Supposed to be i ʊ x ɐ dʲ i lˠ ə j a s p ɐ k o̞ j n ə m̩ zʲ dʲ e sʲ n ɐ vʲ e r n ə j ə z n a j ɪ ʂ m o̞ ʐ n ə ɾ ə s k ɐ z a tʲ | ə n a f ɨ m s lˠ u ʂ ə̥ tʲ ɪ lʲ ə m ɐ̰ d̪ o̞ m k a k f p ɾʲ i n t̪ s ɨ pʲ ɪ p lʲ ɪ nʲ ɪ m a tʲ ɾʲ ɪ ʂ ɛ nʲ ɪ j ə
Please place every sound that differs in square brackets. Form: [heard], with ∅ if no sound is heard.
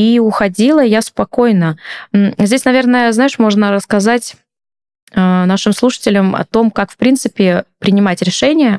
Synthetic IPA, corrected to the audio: i ʊ x ɐ dʲ i lˠ ə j a s p ɐ k o̞ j n ə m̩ zʲ dʲ e sʲ n ɐ vʲ e r n ə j ə z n a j ɪ ʂ m o̞ ʐ n ə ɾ ə s k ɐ z a tʲ | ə n a [ʂ] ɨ m s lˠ u ʂ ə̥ tʲ ɪ lʲ ə m ɐ̰ [t̪] o̞ m k a k f p ɾʲ i n t̪ s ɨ pʲ ɪ p [ɾʲ] ɪ nʲ ɪ m a tʲ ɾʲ ɪ ʂ ɛ nʲ ɪ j ə